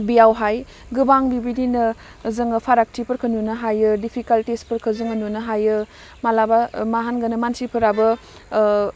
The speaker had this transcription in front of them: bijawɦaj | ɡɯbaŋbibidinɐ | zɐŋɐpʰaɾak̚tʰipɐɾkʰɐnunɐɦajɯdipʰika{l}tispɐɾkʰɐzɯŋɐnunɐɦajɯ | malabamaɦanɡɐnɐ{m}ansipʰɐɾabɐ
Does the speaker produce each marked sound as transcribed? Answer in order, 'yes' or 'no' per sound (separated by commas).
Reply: yes, yes